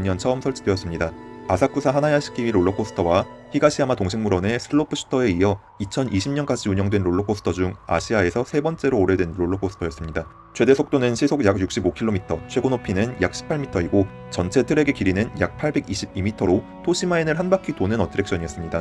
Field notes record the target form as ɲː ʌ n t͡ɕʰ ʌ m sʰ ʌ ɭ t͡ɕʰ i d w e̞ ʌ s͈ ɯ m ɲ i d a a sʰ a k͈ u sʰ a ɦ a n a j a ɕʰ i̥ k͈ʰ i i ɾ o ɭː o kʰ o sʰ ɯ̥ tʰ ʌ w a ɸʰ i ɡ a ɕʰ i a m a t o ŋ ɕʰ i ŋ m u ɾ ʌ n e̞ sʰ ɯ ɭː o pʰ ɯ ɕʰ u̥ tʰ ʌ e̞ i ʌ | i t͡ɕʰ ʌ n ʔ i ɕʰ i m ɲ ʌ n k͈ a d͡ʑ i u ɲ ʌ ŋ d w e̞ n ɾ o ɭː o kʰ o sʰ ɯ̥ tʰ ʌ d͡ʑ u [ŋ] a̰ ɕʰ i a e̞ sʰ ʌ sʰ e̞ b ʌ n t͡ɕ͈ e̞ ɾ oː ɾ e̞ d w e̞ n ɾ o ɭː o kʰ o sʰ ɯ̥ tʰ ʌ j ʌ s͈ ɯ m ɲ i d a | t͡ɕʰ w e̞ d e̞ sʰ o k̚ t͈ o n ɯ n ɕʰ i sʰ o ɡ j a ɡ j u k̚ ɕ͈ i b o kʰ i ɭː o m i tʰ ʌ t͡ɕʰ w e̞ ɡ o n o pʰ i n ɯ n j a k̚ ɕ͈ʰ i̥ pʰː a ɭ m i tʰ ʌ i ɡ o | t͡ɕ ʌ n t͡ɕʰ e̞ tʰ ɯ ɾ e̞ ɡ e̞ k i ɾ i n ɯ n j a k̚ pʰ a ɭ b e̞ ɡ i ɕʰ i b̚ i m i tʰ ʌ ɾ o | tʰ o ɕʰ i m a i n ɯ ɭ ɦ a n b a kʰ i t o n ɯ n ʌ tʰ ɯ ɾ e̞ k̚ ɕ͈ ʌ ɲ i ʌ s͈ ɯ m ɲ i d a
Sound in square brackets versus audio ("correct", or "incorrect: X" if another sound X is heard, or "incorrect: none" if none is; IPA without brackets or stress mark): correct